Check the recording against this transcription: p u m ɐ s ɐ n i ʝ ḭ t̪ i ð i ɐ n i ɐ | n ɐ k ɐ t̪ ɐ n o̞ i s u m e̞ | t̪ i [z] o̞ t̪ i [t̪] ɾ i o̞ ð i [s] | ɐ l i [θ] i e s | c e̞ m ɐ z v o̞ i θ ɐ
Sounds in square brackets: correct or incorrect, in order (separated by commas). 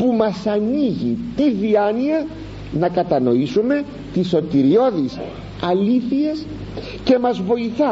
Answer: incorrect, incorrect, correct, correct